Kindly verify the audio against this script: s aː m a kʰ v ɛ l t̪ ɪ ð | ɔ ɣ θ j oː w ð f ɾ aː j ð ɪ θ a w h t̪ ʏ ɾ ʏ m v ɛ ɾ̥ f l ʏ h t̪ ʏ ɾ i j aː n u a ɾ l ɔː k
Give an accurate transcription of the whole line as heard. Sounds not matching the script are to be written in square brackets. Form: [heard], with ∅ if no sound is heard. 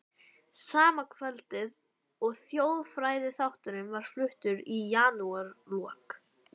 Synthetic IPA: s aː m a kʰ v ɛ l t̪ ɪ ð | ɔ ɣ θ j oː w ð f ɾ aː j ð ɪ θ a w h t̪ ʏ ɾ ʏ m v [a] ɾ̥ f l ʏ h t̪ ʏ ɾ i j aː n u a ɾ l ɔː k